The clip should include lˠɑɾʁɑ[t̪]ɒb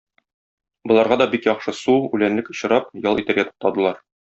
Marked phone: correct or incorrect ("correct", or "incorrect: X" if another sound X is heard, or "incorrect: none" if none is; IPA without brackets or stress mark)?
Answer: incorrect: d̪